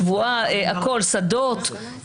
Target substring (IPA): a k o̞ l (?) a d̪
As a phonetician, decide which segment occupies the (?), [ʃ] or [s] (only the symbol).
s